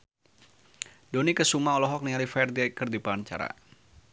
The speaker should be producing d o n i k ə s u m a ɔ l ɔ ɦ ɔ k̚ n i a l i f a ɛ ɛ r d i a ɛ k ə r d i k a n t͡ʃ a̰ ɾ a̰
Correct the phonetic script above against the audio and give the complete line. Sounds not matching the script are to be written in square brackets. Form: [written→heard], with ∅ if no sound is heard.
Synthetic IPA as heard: d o n i k ə s u m a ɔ l ɔ ɦ ɔ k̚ n i a l i f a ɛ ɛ r d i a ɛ k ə r d i [k→p] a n t͡ʃ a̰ ɾ a̰